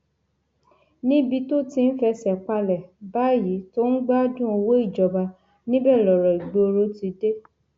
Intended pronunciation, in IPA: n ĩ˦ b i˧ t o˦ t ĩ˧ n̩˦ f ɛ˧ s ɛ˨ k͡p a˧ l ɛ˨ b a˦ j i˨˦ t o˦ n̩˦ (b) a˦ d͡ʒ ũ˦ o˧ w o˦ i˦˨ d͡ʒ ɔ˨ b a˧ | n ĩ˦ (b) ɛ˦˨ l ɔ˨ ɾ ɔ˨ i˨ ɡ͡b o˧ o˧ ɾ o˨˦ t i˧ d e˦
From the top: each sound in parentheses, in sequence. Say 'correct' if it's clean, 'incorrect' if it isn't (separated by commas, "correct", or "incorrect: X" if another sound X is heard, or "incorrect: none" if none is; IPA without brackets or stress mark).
incorrect: ɡ͡b, correct